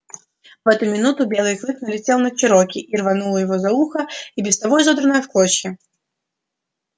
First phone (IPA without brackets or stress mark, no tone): v